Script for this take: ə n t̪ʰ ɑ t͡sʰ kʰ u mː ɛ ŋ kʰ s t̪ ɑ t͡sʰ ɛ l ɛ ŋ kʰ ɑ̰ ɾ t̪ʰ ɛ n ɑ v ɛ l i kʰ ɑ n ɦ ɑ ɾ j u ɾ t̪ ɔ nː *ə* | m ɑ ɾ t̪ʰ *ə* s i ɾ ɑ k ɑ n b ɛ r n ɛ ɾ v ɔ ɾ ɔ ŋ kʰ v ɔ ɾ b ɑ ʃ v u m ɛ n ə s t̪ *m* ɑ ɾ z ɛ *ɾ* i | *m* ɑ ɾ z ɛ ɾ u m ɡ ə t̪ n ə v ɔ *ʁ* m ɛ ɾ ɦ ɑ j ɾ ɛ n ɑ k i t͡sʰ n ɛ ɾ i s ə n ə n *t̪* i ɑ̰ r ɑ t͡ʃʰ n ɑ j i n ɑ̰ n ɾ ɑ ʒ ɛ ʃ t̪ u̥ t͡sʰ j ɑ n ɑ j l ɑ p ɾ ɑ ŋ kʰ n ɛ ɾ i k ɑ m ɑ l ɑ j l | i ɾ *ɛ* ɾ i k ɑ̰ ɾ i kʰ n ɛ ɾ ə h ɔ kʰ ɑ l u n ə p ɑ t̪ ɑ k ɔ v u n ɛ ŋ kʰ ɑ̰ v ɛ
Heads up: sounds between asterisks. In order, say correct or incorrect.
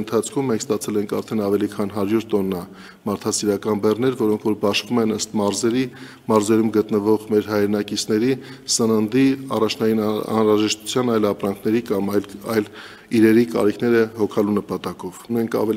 incorrect: ɑ, incorrect: ɑ, correct, correct, correct, correct, incorrect: d̪, correct

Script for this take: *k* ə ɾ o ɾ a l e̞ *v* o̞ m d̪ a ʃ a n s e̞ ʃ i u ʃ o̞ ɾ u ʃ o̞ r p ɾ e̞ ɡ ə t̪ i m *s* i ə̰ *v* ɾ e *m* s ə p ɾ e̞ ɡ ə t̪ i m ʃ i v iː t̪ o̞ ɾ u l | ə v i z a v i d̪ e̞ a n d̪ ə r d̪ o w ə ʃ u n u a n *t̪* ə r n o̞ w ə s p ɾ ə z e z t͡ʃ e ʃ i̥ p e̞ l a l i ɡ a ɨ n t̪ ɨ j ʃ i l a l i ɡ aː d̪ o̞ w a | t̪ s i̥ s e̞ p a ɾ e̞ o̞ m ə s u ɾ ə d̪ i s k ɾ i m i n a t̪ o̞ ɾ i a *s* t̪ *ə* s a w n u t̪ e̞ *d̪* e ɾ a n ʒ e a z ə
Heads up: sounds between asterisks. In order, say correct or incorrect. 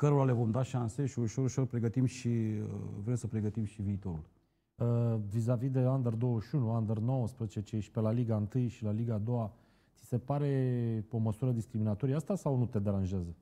correct, correct, incorrect: ʃ, correct, correct, incorrect: d̪, correct, incorrect: a, correct

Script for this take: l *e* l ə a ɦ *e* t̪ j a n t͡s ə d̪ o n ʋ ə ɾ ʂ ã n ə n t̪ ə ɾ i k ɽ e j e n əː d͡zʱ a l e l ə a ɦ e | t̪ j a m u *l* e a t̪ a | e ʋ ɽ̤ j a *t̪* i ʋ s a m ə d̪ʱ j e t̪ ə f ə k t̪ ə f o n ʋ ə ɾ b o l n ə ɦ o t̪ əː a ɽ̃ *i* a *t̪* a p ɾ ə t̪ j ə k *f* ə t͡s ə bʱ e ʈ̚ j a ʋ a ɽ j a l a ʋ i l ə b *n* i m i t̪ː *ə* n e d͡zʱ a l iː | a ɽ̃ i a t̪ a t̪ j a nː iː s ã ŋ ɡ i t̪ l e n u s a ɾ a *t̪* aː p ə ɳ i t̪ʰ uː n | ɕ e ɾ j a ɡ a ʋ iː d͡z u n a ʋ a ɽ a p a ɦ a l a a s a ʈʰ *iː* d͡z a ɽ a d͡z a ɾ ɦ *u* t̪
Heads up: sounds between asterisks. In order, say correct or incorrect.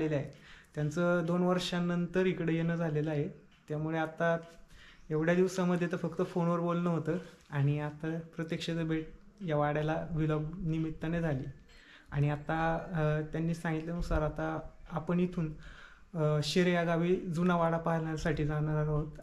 correct, correct, incorrect: ɭ, incorrect: d̪, correct, correct, incorrect: ʂ, correct, correct, correct, correct, incorrect: o

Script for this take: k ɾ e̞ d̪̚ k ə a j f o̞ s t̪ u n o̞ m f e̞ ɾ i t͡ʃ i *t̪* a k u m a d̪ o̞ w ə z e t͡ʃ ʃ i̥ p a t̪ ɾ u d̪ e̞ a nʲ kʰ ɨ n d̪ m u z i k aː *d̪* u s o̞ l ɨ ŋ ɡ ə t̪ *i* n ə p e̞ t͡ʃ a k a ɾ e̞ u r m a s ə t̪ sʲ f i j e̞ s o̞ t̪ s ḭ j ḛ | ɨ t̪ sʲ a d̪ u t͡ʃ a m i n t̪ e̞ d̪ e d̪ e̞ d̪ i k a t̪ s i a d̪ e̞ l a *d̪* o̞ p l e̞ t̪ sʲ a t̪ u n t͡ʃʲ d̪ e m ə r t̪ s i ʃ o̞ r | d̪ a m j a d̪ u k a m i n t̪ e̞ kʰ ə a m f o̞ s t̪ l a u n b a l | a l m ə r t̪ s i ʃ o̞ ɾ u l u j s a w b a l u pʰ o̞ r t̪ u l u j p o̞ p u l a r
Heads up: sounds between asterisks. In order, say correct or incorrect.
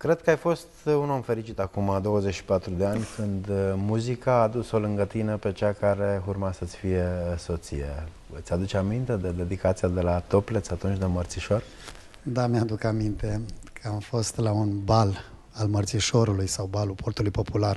correct, correct, correct, incorrect: t̪

